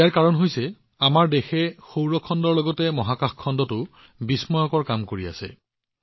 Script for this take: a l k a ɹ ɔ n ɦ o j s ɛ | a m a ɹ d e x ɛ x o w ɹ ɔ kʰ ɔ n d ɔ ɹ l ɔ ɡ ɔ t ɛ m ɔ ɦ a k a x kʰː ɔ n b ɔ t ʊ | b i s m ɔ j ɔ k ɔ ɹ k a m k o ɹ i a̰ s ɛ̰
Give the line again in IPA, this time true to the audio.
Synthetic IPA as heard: a ɹ k a ɹ ɔ n ɦ o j s ɛ | a m a ɹ d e x ɛ x o w ɹ ɔ kʰ ɔ n d ɔ ɹ l ɔ ɡ ɔ t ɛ m ɔ ɦ a k a x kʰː ɔ n d ɔ t ʊ | b i s m ɔ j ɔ k ɔ ɹ k a m k o ɹ i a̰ s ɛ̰